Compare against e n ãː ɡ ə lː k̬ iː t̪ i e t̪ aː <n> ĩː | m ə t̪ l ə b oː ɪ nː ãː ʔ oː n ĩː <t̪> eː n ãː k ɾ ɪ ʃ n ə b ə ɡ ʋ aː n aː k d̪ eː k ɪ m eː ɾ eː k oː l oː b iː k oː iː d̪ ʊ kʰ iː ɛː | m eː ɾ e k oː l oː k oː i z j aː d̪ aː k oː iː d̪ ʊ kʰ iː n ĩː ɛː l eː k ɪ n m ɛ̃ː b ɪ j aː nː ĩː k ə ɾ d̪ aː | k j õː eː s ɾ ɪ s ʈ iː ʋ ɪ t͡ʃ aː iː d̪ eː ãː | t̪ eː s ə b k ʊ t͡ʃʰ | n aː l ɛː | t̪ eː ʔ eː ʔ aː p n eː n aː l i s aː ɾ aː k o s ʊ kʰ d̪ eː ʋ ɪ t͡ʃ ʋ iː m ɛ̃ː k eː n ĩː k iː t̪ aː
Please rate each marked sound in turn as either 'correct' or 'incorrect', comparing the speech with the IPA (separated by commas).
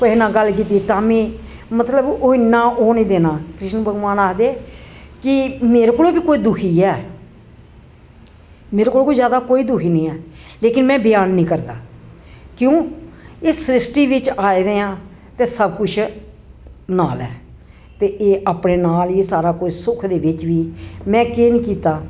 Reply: incorrect, incorrect